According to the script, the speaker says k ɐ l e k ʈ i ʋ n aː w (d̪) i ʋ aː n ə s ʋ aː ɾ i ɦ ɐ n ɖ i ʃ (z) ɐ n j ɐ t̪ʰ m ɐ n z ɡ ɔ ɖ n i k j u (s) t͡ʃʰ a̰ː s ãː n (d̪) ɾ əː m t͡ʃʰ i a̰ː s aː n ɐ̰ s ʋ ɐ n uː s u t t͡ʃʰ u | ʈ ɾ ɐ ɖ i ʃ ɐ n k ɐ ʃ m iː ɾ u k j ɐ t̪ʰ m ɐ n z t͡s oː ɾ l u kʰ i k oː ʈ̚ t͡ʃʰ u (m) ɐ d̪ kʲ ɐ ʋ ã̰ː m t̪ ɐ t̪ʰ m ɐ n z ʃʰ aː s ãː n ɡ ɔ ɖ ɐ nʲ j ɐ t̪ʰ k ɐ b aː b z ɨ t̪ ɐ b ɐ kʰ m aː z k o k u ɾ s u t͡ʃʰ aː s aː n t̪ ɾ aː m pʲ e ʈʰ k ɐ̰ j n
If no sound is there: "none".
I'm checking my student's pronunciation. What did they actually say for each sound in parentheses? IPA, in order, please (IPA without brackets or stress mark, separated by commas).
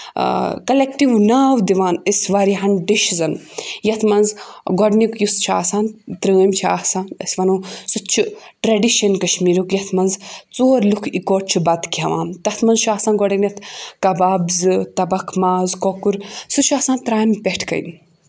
d̪, z, s, t̪, b